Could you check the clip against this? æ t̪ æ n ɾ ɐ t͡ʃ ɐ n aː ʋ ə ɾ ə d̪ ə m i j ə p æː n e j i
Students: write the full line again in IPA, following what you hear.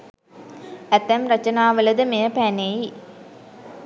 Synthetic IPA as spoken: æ t̪ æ m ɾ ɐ t͡ʃ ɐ n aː ʋ ə l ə d̪ ə m e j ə p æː n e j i